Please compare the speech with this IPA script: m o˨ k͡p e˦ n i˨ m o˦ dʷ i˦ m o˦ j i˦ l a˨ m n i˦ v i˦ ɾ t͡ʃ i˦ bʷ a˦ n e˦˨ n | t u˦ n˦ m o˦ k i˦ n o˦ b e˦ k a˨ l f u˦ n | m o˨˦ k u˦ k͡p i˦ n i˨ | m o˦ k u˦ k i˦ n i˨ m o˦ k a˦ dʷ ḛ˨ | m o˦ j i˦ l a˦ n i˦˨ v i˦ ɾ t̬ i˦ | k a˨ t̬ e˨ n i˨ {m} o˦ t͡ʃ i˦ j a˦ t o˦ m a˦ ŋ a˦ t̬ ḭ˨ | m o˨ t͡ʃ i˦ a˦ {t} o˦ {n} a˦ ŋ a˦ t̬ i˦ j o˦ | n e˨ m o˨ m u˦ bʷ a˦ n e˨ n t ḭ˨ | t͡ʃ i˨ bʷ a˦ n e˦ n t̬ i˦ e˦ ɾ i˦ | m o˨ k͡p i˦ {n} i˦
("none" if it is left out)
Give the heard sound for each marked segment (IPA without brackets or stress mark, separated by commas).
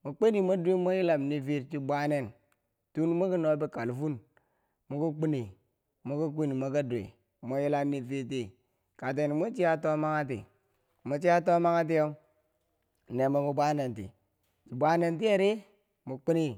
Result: m, t, m, n